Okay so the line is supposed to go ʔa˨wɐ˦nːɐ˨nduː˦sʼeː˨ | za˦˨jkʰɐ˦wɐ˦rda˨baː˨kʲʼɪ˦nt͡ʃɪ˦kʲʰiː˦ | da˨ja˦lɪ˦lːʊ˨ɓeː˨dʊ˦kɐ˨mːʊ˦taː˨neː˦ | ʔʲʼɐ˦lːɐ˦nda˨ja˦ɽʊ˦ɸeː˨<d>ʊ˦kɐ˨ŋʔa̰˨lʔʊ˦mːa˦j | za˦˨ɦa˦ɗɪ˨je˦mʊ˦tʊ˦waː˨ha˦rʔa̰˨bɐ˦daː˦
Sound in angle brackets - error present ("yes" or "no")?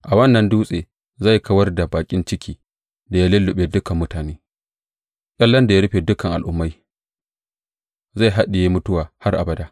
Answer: no